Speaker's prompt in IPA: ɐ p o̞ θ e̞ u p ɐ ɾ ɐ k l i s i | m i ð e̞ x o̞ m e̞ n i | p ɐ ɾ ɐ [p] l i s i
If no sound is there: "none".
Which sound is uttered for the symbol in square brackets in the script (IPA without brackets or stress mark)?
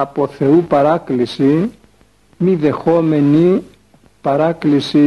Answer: k